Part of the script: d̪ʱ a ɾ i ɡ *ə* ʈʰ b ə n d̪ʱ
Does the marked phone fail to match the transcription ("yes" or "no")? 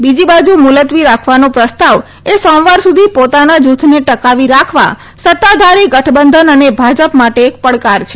no